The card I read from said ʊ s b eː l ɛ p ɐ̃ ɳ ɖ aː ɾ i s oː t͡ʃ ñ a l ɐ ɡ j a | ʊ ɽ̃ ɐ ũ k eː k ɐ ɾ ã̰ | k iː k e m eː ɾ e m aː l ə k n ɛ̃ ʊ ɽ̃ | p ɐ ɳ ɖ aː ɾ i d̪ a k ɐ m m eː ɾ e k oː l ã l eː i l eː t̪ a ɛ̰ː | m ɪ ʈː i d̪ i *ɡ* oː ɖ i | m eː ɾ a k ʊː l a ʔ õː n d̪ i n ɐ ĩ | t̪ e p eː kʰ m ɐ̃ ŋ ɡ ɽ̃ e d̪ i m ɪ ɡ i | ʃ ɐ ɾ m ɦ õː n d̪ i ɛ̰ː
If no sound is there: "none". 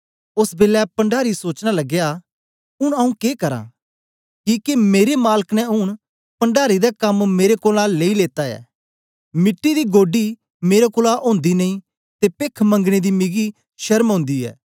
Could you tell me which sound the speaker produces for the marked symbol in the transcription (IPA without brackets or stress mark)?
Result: ɡ